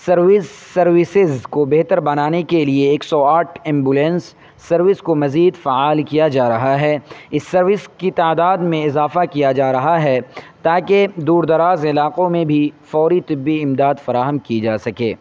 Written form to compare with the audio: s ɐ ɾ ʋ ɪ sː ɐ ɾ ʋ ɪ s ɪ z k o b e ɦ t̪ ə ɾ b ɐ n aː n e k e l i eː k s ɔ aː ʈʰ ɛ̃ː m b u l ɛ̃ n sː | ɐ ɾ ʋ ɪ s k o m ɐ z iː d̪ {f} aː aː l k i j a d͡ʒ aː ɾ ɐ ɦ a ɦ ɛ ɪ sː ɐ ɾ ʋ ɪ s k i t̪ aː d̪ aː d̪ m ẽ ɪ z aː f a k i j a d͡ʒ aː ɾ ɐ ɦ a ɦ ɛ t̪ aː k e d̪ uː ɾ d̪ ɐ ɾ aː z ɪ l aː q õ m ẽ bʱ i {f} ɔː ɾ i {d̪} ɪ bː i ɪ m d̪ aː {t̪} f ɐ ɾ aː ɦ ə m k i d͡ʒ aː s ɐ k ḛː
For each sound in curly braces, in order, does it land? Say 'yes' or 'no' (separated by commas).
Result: yes, yes, no, no